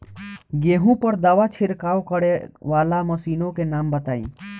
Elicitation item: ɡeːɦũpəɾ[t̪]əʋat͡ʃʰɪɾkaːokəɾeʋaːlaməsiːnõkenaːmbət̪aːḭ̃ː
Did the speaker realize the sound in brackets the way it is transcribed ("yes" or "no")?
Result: no